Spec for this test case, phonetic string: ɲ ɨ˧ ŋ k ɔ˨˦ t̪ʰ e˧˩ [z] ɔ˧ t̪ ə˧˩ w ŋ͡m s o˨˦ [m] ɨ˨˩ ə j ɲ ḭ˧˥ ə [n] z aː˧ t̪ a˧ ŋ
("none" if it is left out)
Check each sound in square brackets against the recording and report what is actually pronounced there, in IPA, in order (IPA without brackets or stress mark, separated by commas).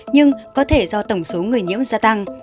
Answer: z, ŋ, m